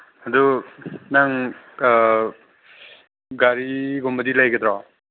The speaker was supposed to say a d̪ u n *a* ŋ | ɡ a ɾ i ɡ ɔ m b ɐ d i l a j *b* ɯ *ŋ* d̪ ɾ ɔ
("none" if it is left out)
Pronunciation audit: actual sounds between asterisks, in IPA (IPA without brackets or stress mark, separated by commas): a, ɡ, none